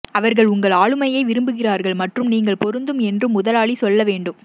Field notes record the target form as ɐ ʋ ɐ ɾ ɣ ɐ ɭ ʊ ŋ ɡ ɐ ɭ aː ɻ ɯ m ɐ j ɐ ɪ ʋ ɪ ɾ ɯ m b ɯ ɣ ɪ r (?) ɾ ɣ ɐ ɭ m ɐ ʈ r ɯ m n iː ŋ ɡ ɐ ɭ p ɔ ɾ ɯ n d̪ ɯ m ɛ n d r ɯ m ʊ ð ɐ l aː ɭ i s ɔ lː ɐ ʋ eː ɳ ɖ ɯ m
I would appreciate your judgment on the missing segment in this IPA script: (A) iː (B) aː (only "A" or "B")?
B